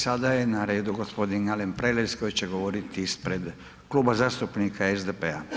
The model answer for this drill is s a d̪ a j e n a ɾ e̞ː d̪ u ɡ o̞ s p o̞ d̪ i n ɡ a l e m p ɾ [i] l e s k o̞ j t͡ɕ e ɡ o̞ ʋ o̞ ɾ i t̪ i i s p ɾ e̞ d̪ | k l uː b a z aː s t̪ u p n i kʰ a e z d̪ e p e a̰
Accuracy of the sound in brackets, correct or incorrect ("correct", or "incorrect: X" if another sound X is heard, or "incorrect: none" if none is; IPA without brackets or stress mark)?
incorrect: e